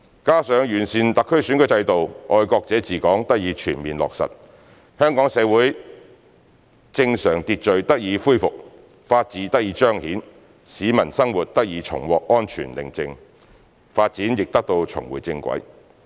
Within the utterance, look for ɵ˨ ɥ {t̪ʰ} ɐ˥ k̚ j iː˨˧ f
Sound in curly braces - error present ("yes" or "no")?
yes